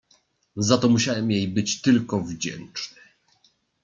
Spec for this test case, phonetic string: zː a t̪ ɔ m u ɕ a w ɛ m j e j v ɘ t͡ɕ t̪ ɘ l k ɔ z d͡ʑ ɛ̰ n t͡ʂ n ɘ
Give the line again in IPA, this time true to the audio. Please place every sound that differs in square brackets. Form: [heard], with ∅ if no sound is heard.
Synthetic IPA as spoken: [z] a t̪ ɔ m u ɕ a w ɛ m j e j [b] ɘ t͡ɕ t̪ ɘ l k ɔ [v] d͡ʑ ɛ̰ n t͡ʂ n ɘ